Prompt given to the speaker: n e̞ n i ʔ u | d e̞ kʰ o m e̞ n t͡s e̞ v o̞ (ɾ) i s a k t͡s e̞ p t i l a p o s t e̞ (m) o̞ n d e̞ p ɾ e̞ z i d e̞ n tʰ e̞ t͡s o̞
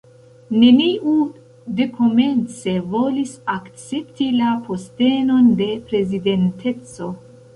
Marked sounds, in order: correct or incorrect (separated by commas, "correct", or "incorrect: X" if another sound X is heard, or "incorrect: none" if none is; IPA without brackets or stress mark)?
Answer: incorrect: l, incorrect: n